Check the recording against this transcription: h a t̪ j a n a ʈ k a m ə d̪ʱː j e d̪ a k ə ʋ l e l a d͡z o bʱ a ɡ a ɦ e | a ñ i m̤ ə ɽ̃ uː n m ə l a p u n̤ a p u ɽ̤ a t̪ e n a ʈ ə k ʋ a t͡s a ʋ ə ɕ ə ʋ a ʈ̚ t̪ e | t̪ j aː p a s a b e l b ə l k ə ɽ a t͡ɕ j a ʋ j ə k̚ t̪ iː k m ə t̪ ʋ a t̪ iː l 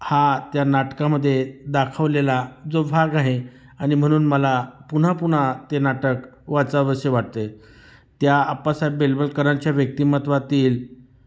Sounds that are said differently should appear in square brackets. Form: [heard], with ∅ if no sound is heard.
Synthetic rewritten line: h a t̪ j a n a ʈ k a m ə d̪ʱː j e d̪ a [kʰ] ə ʋ l e l a d͡z o bʱ a ɡ a ɦ e | a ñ i m̤ ə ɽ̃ uː n m ə l a p u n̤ a p u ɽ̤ a t̪ e n a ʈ ə k ʋ a t͡s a ʋ ə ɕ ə ʋ a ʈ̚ t̪ e | t̪ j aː p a s a b e l b ə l k ə [ɾ] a t͡ɕ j a ʋ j ə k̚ t̪ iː [∅] m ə t̪ ʋ a t̪ iː l